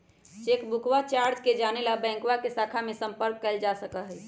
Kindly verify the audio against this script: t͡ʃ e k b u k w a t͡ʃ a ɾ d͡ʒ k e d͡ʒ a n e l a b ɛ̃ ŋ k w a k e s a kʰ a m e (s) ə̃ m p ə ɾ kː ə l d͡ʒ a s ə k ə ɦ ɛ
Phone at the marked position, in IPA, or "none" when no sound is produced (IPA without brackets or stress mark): s